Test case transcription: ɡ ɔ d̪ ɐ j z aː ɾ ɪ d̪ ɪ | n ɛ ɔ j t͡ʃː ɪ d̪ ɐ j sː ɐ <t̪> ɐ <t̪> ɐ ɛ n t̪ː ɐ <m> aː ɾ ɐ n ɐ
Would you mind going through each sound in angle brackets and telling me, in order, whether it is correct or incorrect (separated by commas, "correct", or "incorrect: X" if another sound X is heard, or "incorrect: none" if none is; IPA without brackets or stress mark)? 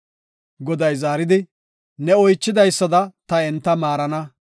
incorrect: d̪, correct, correct